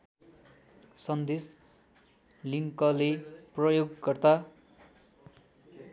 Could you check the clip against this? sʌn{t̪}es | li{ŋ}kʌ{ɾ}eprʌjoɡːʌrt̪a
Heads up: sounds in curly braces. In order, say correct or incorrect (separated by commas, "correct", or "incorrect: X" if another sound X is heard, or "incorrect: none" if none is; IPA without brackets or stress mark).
incorrect: d̪, correct, incorrect: l